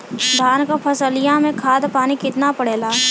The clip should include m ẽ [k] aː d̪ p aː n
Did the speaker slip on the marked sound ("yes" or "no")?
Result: yes